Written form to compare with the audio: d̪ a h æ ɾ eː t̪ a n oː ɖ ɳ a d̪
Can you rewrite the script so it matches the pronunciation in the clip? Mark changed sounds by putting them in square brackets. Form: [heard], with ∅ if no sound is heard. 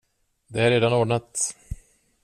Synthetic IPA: d̪ [ɛ] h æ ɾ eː [d̪] a n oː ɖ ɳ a [t̪]